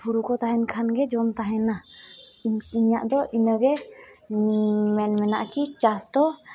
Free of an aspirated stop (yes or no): no